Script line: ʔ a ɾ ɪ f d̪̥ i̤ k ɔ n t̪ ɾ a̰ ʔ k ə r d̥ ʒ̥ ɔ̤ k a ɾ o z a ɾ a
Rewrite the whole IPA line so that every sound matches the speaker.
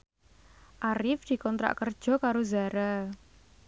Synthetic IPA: ʔ a ɾ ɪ f d̪̥ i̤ k ɔ n t̪ ɾ a̰ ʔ k ə r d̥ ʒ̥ ɔ̤ k a ɾ o z a ɾ a